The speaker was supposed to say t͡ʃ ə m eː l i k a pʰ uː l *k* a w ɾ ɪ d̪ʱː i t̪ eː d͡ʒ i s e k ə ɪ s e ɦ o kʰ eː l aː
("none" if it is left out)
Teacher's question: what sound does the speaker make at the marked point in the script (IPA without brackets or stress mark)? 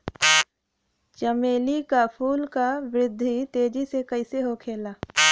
k